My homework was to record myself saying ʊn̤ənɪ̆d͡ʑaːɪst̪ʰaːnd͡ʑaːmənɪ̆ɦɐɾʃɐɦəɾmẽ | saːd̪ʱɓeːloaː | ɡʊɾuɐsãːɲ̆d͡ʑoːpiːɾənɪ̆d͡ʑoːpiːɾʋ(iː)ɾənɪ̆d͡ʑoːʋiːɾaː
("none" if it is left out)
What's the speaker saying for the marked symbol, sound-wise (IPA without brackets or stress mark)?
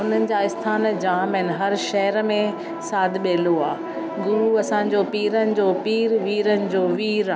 iː